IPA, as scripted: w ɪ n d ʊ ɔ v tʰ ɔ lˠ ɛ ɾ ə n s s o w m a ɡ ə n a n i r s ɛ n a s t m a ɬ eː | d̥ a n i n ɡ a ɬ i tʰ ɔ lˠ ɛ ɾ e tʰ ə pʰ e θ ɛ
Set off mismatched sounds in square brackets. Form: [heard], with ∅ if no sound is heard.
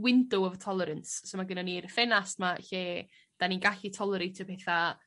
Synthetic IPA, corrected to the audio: w ɪ n d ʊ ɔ v tʰ ɔ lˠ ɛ ɾ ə n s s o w m a ɡ ə n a n i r [f] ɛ n a s t m a ɬ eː | d̥ a n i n ɡ a ɬ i tʰ ɔ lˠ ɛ ɾ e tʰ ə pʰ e θ [a]